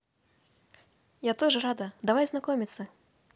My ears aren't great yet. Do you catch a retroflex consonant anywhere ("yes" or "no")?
yes